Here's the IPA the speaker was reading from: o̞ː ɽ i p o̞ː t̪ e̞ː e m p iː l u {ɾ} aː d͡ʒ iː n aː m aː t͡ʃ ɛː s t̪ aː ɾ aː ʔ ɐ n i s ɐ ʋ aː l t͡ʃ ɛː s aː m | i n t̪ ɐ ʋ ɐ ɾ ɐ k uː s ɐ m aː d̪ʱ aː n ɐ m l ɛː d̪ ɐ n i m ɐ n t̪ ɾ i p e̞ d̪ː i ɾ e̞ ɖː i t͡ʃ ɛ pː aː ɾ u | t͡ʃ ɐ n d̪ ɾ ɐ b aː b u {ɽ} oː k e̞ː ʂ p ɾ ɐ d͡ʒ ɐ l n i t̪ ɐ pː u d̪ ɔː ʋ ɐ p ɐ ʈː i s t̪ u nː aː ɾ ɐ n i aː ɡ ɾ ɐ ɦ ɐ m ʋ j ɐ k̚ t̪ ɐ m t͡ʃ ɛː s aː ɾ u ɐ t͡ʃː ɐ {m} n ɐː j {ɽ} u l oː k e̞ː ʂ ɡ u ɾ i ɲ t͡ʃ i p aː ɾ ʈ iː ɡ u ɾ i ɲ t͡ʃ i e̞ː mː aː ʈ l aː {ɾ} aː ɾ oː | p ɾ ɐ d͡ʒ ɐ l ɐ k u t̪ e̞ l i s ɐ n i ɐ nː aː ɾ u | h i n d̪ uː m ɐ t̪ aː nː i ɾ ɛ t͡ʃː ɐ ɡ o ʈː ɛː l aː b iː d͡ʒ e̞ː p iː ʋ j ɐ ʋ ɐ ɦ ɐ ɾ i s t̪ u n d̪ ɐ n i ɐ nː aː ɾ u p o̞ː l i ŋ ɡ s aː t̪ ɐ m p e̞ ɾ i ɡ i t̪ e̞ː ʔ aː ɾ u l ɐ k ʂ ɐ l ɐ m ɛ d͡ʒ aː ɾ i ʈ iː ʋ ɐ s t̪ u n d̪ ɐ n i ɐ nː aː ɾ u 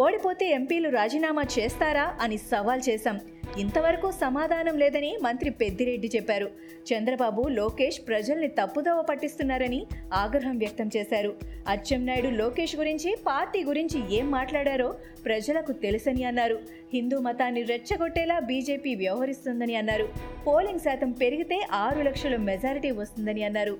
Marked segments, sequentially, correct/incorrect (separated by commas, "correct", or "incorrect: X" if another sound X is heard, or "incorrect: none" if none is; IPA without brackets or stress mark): correct, incorrect: l, correct, correct, incorrect: ɽ